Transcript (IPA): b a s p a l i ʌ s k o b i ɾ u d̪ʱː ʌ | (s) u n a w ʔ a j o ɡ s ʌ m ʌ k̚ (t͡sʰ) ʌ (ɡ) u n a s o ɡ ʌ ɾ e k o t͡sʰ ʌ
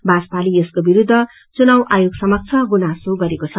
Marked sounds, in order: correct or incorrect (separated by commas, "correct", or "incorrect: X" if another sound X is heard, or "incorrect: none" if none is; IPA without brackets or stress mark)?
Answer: incorrect: t͡s, correct, correct